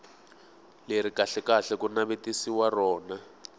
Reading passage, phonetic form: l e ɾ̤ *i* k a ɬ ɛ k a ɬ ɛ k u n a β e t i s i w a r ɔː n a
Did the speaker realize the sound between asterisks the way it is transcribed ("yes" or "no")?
yes